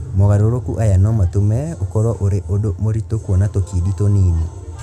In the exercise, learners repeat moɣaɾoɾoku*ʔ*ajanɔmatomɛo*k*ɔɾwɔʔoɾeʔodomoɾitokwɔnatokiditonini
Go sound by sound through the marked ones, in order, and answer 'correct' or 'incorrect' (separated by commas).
correct, correct